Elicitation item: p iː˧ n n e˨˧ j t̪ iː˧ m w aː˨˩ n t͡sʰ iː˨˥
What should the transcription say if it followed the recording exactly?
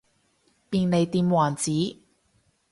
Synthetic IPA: p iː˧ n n e˨˧ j t̪ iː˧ m w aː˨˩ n t͡s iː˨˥